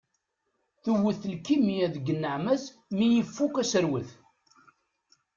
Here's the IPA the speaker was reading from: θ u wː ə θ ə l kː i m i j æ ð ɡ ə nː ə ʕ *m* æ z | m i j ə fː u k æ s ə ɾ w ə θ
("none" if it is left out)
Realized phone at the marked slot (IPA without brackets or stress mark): m